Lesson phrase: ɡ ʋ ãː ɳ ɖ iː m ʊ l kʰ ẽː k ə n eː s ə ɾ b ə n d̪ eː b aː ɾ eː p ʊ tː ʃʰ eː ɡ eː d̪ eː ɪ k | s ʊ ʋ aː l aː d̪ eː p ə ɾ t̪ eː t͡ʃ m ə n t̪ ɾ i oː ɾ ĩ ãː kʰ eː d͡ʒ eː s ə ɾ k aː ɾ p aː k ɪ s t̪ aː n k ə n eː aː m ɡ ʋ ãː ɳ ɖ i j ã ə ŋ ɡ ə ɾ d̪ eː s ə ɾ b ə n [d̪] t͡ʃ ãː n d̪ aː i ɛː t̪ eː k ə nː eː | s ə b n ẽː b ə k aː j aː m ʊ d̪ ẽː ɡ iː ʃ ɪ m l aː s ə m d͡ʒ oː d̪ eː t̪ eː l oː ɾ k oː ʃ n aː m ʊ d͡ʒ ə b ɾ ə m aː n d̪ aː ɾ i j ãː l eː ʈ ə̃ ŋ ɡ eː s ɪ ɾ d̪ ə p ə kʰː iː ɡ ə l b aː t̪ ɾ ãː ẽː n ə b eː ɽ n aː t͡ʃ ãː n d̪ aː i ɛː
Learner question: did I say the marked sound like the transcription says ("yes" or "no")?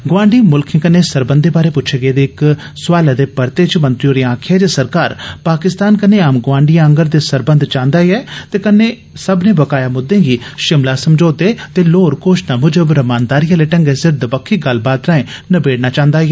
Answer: yes